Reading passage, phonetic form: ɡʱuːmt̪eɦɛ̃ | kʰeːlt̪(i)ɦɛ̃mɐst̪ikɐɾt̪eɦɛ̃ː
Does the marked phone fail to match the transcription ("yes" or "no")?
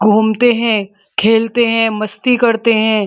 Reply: yes